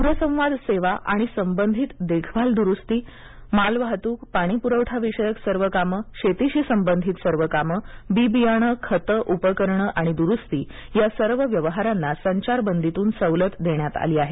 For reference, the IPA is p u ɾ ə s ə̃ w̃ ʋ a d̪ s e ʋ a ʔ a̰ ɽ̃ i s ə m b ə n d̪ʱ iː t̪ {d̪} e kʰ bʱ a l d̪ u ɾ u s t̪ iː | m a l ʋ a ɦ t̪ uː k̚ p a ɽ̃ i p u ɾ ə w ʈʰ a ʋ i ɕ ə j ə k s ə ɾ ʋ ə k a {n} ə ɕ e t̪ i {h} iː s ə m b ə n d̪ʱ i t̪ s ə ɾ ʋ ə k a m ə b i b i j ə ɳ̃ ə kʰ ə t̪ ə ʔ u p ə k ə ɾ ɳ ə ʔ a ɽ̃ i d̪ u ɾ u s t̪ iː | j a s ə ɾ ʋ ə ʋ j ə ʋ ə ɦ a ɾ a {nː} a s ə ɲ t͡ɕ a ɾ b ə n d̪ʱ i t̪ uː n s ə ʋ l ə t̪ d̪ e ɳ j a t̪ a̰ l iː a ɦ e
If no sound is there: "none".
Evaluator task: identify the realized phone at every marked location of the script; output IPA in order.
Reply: d̪, m, ɕ, nː

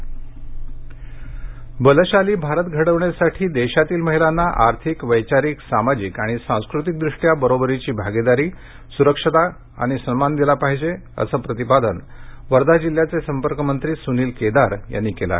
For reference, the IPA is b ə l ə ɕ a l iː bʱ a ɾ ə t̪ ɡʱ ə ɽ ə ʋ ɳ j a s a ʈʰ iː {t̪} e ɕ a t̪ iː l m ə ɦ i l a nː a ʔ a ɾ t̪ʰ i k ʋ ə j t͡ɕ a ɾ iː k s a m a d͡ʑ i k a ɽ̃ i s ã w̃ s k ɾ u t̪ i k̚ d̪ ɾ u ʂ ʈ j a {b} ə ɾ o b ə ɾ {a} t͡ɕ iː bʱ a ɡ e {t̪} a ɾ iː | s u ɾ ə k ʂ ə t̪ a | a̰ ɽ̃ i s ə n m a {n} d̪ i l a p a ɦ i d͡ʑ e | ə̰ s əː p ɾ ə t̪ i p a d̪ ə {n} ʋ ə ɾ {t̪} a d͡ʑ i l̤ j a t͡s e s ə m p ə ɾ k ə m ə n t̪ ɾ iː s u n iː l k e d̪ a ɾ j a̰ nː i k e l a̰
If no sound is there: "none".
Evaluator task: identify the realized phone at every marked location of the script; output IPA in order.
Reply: d̪, b, i, d̪, n, n, d̪

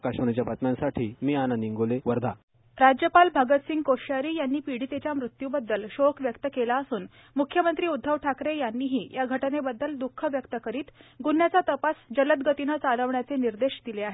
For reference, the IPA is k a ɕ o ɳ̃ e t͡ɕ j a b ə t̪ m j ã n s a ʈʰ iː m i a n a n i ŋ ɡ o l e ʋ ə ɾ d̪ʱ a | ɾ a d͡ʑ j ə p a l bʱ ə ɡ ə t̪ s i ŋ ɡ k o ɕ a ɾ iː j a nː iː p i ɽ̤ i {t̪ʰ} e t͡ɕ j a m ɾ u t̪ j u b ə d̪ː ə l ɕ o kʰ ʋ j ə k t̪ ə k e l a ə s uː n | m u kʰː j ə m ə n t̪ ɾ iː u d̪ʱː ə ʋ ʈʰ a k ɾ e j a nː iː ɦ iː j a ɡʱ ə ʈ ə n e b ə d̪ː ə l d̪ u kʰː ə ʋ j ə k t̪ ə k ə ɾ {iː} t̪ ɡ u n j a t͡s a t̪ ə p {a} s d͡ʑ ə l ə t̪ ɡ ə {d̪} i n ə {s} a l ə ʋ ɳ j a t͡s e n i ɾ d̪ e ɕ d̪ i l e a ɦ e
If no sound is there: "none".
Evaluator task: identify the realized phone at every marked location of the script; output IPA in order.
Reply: t̪, iː, a, t̪, t͡s

